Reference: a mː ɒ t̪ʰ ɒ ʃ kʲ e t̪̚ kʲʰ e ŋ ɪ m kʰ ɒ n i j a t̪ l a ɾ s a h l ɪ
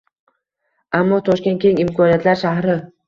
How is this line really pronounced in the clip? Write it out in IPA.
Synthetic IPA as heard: a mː ɒ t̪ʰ ɒ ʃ kʲ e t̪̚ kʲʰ e ŋ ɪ m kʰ ɒ n i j a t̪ l a ɾ ʃ a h ɾ ɪ